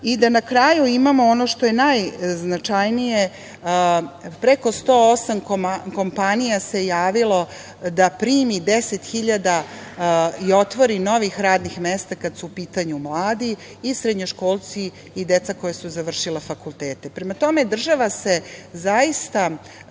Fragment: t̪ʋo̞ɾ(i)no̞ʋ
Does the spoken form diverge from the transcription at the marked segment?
no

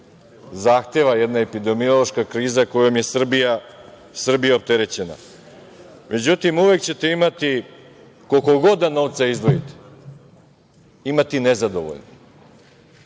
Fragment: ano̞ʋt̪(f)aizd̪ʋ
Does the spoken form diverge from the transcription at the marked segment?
yes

